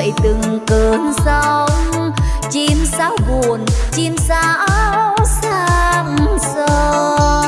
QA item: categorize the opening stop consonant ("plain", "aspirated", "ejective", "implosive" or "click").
plain